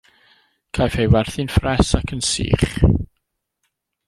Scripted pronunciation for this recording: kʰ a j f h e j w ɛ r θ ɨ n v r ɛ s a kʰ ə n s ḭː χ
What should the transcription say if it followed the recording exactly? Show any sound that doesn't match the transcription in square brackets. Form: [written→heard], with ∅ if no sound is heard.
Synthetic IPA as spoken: kʰ a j f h e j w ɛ r θ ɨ n [v→f] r ɛ s a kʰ ə n s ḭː χ